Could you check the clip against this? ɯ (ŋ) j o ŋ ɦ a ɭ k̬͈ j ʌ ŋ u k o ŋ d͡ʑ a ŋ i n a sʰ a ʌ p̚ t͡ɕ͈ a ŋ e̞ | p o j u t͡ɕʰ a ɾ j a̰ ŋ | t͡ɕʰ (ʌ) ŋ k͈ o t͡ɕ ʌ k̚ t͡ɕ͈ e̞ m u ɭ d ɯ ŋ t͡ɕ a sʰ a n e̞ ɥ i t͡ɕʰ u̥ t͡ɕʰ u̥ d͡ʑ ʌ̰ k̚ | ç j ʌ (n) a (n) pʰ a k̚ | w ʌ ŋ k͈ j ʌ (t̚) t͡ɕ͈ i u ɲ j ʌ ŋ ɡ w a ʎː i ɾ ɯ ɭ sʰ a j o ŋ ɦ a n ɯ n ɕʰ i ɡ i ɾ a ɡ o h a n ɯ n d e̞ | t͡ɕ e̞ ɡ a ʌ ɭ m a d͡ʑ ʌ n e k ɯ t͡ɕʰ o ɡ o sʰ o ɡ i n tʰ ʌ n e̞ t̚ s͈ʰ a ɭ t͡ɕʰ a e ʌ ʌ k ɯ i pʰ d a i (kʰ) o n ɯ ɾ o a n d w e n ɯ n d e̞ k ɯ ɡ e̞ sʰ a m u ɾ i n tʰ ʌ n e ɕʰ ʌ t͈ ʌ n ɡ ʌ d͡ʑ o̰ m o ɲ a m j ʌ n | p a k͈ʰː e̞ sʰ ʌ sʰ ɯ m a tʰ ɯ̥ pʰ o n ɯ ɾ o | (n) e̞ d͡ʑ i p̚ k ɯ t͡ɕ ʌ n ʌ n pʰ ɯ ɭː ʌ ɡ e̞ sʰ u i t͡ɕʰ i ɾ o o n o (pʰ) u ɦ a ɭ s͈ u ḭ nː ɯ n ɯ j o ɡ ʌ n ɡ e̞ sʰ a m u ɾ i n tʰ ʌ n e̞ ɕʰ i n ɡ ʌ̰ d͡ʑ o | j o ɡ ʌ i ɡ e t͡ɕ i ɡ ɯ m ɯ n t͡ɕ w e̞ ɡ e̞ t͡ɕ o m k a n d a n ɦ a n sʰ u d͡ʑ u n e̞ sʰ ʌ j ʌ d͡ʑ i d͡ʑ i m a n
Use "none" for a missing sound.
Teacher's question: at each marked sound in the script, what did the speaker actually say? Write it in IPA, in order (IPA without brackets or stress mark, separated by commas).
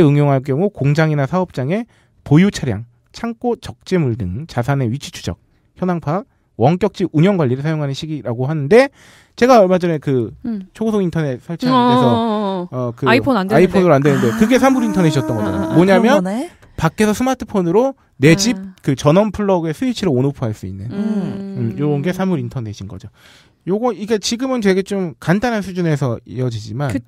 ŋ, a, n, ŋ, k̚, pʰ, n, pʰ